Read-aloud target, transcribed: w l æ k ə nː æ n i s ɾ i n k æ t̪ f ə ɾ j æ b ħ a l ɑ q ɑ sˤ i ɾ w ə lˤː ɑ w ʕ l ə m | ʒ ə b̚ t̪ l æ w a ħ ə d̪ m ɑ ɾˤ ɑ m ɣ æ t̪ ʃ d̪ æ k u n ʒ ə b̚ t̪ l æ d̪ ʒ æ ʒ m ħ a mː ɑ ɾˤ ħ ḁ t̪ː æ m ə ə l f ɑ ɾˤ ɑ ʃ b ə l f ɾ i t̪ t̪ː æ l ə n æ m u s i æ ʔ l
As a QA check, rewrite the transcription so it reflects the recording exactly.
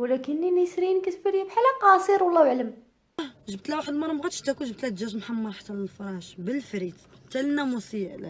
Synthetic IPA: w l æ k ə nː i n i s ɾ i n k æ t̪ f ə ɾ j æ b ħ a l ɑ q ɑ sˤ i ɾ w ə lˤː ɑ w ʕ l ə m | ʒ ə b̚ t̪ l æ w a ħ ə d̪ m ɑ ɾˤ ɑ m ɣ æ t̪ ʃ t̪ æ k u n ʒ ə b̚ t̪ l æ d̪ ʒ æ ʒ m ħ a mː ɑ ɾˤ ħ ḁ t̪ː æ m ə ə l f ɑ ɾˤ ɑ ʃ b ə l f ɾ i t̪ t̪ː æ l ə n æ m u s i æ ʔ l